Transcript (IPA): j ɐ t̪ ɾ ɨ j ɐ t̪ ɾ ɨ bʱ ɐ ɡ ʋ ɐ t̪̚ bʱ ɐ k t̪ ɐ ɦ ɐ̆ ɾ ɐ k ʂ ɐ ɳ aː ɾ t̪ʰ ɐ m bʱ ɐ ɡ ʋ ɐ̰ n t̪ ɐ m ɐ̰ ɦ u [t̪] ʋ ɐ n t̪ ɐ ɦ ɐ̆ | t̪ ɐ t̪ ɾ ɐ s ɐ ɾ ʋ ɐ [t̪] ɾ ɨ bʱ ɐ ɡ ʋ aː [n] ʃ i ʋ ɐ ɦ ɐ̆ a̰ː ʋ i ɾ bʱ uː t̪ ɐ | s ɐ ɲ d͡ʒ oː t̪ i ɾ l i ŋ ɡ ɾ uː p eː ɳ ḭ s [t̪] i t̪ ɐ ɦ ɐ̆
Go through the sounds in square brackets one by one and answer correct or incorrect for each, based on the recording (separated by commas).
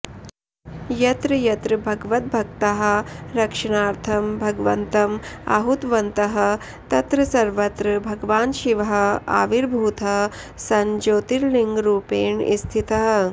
correct, correct, correct, incorrect